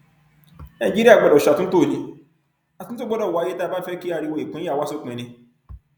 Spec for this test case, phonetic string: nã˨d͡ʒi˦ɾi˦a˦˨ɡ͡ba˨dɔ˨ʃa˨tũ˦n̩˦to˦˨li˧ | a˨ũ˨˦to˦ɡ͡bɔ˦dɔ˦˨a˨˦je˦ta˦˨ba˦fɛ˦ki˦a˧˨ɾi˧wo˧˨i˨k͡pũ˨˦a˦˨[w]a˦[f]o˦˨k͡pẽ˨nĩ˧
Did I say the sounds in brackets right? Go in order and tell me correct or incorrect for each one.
correct, incorrect: s

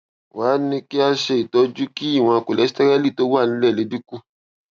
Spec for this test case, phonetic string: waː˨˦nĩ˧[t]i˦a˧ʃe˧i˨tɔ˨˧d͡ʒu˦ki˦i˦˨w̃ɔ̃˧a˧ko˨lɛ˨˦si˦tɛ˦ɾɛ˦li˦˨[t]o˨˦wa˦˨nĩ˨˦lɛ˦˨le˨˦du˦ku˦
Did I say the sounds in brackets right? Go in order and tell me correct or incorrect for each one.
incorrect: k, correct

